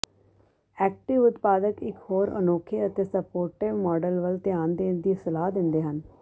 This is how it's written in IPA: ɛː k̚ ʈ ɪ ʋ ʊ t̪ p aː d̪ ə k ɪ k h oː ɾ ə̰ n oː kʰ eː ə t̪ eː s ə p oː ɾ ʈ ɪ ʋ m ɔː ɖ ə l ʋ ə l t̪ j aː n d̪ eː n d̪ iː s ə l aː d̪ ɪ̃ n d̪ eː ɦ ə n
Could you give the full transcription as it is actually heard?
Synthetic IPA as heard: ɛː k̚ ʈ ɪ ʋ ʊ t̪ p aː d̪ ə k ɪ k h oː ɾ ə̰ n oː kʰ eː ə t̪ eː s ə p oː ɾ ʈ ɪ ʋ m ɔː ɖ ə l ʋ ə l t̪ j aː n d̪ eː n d̪ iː s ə l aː d̪ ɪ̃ n d̪ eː ɦ ə n